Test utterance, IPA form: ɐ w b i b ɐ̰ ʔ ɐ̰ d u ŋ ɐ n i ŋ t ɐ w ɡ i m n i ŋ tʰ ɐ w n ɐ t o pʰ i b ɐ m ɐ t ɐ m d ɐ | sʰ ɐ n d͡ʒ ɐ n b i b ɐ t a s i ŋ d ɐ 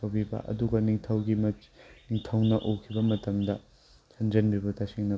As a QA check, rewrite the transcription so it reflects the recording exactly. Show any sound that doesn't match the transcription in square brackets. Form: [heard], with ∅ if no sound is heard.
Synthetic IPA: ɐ w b i b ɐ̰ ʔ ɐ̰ d u [ɡ] ɐ n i ŋ [tʰ] ɐ w ɡ i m n i ŋ tʰ ɐ w n ɐ [ʔ] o [kʰ] i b ɐ m ɐ t ɐ m d ɐ | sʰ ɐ n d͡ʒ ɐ n b i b ɐ t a s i ŋ [n] ɐ